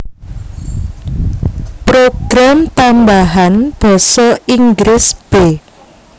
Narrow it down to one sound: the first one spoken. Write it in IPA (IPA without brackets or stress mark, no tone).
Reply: p